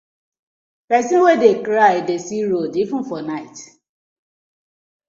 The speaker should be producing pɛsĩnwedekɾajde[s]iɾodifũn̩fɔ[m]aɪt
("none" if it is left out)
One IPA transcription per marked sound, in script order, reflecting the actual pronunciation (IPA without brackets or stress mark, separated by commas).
s, n